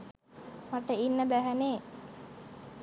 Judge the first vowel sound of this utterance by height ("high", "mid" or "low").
low